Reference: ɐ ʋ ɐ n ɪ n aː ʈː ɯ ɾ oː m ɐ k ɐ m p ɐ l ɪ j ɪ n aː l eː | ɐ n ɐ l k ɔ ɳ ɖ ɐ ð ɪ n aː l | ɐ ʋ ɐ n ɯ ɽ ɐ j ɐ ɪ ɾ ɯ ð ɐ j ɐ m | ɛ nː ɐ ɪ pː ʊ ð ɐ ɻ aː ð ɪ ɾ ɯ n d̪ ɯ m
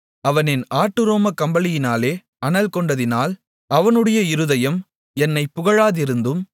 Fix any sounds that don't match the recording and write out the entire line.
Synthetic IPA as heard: ɐ ʋ ɐ n ɪ n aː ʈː ɯ ɾ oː m ɐ k ɐ m b ɐ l ɪ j ɪ n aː l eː | ɐ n ɐ l k ɔ ɳ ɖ ɐ ð ɪ n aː l | ɐ ʋ ɐ n ɯ ɽ ɐ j ɐ ɪ ɾ ɯ ð ɐ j ɐ m | ɛ nː ɐ ɪ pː ʊ ɣ ɐ ɻ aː ð ɪ ɾ ɯ n d̪ ɯ m

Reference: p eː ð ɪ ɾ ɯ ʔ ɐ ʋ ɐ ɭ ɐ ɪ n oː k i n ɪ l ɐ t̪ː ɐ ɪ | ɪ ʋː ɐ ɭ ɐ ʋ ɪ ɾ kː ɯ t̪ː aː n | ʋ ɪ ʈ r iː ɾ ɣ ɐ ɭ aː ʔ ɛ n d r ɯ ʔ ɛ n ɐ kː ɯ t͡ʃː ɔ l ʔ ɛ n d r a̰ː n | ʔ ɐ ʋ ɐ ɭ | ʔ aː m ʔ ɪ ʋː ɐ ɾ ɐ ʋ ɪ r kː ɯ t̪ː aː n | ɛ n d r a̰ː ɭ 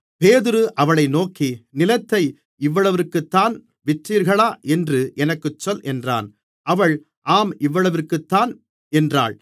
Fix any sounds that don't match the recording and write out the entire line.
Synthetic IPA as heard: p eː ð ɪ ɾ ɯ ʔ ɐ ʋ ɐ ɭ ɐ ɪ n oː k i n ɪ l ɐ t̪ː ɐ ɪ | ɪ ʋː ɐ ɭ ɐ ʋ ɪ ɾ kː ɯ t̪ː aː n | ʋ ɪ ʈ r iː ɾ ɣ ɐ ɭ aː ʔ ɛ n d r ɯ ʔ ɛ n ɐ kː ɯ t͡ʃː ɔ l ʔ ɛ n d r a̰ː n | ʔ ɐ ʋ ɐ ɭ | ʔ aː m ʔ ɪ ʋː ɐ ɭ ɐ ʋ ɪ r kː ɯ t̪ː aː n | ɛ n d r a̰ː ɭ

